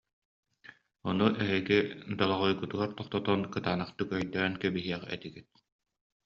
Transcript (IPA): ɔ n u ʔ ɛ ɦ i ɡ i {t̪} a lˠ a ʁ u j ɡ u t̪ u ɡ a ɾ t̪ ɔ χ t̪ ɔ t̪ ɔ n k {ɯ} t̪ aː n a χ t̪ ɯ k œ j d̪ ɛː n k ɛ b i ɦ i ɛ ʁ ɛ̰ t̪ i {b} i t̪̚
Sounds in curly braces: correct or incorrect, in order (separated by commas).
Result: incorrect, correct, incorrect